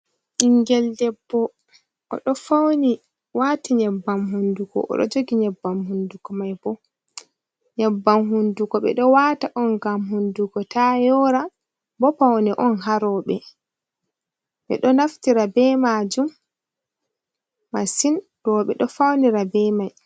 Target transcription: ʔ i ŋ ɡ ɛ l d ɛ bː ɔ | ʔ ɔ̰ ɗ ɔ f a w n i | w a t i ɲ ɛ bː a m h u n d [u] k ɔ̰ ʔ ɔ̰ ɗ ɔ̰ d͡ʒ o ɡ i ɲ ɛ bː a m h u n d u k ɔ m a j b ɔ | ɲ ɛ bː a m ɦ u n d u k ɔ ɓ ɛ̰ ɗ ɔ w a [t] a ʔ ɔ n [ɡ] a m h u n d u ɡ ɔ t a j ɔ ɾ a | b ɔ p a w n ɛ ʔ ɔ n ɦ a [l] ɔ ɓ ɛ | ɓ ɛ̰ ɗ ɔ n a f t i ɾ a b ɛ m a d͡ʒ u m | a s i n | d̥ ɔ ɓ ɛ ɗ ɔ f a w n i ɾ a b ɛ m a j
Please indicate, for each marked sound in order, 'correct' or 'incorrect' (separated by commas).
correct, correct, correct, incorrect